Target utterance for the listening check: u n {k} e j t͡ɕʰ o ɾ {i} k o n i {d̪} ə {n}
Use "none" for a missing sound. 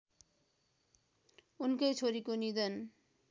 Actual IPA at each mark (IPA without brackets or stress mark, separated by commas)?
k, i, d̪, n